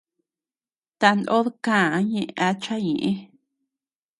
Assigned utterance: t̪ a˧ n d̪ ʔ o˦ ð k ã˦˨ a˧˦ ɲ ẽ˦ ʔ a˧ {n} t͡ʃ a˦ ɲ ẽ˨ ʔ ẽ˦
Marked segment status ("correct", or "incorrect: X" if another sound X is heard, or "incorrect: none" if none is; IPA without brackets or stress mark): incorrect: none